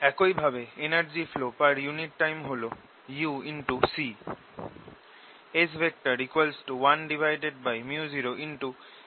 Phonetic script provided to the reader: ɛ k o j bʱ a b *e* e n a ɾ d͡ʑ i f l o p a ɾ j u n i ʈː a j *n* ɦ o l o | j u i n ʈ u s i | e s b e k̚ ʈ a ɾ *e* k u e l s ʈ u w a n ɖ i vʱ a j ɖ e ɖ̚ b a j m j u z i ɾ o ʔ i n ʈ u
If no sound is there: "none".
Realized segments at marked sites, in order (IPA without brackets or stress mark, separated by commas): e, m, i